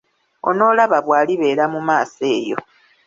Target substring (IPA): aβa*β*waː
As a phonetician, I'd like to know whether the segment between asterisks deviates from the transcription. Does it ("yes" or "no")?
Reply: no